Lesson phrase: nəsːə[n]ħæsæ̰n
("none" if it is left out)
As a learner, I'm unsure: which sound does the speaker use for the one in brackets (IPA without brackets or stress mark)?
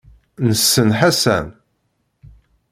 n